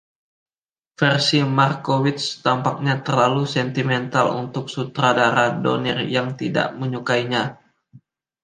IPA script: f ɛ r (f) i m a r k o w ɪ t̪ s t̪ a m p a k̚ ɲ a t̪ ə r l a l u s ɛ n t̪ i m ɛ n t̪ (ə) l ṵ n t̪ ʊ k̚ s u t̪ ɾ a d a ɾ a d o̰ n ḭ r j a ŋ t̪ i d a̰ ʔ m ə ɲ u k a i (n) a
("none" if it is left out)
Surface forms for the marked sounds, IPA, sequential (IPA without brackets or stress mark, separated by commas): s, a, ɲ